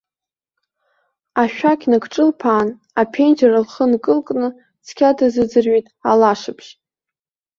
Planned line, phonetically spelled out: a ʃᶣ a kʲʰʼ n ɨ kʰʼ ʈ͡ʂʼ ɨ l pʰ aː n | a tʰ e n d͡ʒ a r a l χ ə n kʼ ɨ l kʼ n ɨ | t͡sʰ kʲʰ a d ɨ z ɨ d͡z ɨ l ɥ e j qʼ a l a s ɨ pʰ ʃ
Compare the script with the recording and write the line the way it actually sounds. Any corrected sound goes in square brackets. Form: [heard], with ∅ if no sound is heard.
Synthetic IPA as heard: a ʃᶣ a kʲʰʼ n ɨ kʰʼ ʈ͡ʂʼ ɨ l pʰ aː n | a [pʰ] e n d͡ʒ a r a l χ ə n kʼ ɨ l kʼ n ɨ | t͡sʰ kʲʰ a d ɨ z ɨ d͡z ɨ [r] ɥ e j [tʼ] a l a [ʂ] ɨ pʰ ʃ